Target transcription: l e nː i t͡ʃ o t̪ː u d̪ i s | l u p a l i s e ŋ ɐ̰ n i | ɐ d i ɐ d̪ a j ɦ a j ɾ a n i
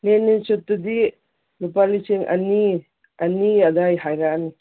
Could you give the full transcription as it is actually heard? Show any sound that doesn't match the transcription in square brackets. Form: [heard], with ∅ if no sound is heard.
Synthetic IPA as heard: l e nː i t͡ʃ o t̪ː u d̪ i [∅] | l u p a l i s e ŋ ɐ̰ n i | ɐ [n] i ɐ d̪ a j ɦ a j ɾ a n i